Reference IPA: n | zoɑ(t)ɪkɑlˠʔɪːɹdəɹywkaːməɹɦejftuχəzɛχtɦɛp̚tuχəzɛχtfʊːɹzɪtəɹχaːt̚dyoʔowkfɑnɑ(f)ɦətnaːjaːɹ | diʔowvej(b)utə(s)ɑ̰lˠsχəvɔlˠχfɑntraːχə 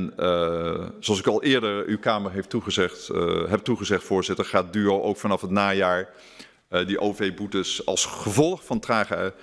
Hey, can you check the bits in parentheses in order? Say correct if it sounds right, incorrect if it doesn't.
incorrect: s, correct, correct, correct

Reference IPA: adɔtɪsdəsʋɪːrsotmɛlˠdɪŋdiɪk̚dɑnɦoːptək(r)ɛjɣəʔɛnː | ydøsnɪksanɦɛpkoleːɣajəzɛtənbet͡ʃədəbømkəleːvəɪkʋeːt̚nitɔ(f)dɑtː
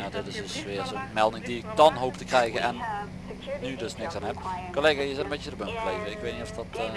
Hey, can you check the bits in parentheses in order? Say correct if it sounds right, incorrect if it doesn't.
correct, correct

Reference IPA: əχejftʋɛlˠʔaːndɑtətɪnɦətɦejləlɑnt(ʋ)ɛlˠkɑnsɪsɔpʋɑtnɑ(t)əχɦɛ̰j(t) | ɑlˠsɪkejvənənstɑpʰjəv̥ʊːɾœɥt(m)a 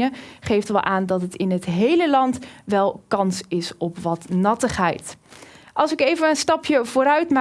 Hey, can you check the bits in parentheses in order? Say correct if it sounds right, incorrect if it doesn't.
correct, correct, correct, correct

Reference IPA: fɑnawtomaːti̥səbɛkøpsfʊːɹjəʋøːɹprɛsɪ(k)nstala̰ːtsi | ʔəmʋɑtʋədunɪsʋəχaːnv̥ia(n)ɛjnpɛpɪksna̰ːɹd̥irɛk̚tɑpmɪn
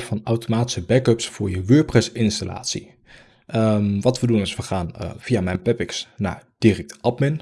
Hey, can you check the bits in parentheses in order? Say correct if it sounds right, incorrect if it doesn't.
incorrect: none, incorrect: m

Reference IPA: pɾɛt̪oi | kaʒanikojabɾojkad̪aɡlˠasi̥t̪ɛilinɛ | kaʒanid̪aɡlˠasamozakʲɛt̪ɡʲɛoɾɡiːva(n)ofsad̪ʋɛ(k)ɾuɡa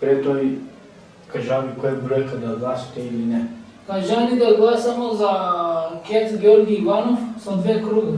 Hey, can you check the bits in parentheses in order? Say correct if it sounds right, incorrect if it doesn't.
correct, correct

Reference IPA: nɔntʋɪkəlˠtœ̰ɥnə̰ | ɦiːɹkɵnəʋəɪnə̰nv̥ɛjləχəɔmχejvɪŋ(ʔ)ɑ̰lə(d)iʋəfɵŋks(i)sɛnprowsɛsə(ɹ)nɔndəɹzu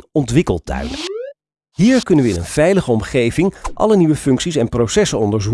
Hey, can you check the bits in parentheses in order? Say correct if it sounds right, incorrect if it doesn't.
correct, incorrect: n, correct, incorrect: none

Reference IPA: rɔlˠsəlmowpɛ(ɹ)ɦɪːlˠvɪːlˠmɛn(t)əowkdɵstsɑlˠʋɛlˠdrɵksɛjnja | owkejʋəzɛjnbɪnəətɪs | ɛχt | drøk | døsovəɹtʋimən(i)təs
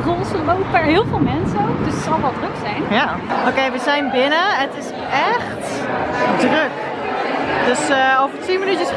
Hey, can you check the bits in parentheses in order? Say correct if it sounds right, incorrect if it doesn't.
correct, incorrect: s, incorrect: y

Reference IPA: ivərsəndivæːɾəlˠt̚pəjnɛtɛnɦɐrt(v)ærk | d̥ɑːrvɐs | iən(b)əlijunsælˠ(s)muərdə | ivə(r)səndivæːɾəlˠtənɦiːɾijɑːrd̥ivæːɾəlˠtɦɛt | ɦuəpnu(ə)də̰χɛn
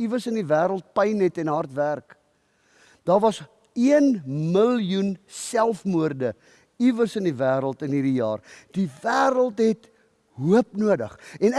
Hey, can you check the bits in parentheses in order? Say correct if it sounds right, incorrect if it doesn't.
correct, incorrect: m, incorrect: f, correct, correct

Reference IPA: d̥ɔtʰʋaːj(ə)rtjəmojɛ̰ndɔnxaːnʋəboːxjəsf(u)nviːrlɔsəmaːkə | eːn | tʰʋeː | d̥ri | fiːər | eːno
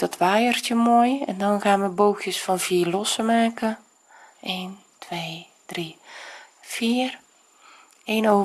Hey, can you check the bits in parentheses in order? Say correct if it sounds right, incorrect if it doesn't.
correct, incorrect: ɔ

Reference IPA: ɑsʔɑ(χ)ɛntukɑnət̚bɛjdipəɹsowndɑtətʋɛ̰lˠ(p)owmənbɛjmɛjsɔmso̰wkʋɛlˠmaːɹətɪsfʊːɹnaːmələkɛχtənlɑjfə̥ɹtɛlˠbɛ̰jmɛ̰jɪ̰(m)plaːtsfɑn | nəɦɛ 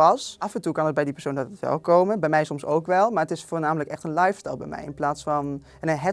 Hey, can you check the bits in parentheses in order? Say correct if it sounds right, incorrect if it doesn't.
incorrect: f, incorrect: k, incorrect: n

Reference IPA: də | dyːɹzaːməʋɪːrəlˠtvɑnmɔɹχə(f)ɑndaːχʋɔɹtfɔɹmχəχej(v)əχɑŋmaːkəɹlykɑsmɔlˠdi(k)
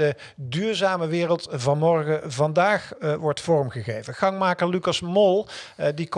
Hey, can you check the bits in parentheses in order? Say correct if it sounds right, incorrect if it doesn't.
incorrect: v, correct, correct

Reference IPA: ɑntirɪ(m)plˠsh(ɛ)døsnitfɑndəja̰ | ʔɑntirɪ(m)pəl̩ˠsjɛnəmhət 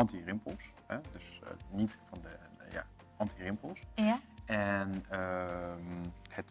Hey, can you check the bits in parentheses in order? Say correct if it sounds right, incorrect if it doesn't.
correct, correct, correct

